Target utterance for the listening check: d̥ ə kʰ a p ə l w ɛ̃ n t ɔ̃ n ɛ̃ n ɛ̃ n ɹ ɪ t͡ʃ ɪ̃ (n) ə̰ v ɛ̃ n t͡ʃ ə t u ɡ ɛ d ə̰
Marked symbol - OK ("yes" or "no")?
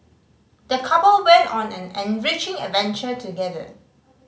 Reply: no